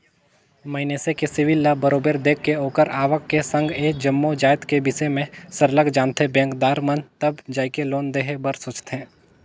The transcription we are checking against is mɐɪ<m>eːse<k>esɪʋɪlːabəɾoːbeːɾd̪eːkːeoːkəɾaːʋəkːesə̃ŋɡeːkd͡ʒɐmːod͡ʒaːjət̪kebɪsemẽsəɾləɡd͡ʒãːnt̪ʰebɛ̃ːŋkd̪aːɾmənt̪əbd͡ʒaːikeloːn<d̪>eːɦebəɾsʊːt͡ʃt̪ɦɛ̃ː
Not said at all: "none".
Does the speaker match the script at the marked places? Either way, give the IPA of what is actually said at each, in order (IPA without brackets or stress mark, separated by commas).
n, k, d̪